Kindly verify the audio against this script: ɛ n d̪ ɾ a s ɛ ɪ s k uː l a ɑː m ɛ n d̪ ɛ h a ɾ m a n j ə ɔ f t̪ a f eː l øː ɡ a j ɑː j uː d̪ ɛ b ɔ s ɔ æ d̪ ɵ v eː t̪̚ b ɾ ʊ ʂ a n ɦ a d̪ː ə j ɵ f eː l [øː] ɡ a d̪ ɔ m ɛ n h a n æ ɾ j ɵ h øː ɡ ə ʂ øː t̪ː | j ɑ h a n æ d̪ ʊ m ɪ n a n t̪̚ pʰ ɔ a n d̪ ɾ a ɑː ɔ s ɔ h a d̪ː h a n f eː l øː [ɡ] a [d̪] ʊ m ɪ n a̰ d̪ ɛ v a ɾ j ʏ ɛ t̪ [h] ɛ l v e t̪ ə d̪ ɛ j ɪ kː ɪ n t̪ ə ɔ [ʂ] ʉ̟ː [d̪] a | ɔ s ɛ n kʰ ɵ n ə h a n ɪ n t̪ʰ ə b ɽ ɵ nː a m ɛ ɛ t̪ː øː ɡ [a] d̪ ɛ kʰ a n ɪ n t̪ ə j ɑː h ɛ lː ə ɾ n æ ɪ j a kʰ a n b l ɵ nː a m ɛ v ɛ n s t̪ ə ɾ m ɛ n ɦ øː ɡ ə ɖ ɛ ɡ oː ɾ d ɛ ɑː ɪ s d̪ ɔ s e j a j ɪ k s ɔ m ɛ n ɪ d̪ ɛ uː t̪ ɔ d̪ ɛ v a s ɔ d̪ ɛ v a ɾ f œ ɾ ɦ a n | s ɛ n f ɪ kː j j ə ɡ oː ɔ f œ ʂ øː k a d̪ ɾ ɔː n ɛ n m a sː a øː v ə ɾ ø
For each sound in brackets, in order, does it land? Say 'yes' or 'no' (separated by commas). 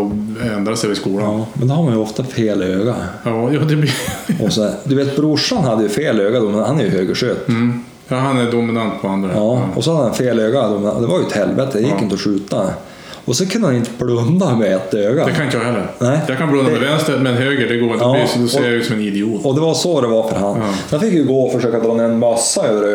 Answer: yes, yes, yes, yes, yes, no, yes